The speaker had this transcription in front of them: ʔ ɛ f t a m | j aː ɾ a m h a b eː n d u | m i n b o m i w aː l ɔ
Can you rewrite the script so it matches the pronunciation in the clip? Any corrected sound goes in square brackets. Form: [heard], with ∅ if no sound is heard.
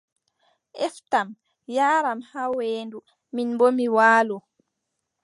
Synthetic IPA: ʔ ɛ f t a m | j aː ɾ a m h a [w] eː n d u | m i n b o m i w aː l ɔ